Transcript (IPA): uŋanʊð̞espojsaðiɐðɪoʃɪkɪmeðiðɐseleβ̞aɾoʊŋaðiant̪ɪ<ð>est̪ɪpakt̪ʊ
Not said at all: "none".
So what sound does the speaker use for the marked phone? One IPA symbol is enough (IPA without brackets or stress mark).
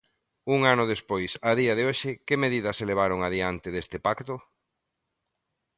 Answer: ð